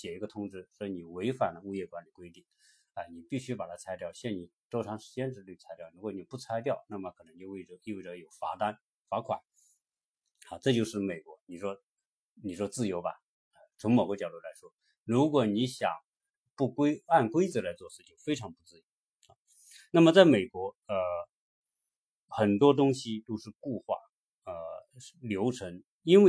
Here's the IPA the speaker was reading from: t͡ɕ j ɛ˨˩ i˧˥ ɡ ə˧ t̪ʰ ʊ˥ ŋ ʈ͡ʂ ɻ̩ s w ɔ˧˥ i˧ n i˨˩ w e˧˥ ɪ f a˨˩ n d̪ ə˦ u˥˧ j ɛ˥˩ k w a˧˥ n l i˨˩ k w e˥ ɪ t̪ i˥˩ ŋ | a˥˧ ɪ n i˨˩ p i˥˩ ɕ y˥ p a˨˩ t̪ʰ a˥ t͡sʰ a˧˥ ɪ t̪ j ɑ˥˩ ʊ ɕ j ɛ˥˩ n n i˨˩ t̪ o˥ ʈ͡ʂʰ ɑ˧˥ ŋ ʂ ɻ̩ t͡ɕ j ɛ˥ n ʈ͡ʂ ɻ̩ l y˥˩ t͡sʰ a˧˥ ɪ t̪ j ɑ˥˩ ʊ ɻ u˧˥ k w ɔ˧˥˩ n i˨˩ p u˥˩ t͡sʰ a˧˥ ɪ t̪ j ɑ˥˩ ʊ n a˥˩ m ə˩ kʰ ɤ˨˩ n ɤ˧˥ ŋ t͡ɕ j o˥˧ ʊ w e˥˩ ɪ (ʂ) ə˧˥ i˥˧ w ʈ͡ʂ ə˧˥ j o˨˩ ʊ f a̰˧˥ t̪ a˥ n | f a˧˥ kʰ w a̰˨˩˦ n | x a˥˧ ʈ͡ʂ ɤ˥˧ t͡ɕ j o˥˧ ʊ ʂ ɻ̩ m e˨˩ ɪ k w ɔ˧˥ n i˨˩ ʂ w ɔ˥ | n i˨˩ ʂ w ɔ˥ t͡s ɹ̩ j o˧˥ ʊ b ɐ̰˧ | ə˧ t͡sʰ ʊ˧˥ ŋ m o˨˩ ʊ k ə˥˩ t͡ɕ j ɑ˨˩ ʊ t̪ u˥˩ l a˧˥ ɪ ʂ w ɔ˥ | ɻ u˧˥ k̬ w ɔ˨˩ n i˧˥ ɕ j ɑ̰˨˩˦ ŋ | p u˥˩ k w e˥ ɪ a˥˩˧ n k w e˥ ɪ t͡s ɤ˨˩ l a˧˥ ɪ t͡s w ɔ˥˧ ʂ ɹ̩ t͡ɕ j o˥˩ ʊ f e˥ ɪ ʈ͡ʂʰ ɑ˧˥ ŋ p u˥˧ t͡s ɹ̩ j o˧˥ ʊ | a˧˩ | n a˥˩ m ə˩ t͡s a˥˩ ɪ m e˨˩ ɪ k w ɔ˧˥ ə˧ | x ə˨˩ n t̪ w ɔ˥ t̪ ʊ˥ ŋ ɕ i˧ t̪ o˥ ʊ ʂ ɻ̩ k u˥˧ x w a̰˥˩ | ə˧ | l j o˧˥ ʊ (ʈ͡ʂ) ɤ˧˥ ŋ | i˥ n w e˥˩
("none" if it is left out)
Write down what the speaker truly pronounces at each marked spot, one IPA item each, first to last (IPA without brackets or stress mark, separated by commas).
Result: ʈ͡ʂ, ʈ͡ʂʰ